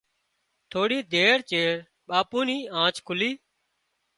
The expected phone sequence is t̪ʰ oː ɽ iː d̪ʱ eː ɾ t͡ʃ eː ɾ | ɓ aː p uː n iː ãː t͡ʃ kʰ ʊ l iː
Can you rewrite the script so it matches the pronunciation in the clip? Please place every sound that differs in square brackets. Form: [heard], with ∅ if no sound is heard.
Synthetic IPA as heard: t̪ʰ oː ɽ iː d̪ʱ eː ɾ t͡ʃ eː ɾ | ɓ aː p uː n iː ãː t͡ʃ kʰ ʊ l iː